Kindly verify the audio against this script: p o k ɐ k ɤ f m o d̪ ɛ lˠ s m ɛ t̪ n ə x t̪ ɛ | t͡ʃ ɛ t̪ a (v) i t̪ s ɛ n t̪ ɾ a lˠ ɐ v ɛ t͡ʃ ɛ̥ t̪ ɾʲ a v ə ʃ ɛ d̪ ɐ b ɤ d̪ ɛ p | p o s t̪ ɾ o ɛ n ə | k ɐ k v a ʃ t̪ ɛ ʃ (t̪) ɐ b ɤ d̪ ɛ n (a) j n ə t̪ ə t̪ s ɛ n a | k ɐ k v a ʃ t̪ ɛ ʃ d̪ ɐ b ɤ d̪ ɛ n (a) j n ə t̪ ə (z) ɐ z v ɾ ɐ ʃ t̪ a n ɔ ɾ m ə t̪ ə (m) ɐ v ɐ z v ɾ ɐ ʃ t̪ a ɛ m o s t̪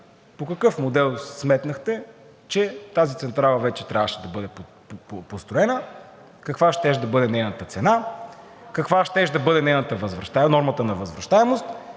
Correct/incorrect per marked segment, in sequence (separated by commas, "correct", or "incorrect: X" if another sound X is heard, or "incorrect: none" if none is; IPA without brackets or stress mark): incorrect: z, incorrect: d̪, incorrect: ɛ, incorrect: ɛ, incorrect: v, incorrect: n